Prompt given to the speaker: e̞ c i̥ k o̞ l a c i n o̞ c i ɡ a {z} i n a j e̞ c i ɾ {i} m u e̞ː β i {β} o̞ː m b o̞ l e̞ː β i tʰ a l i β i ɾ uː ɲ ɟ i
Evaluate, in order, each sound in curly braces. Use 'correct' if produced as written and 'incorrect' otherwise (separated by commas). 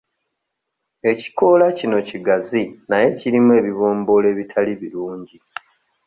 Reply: correct, correct, correct